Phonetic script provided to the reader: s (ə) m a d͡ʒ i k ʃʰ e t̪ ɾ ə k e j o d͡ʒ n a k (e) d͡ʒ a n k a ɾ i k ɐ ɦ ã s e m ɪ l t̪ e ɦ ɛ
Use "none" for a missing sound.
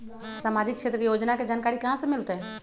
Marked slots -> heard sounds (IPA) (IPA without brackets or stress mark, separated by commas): a, e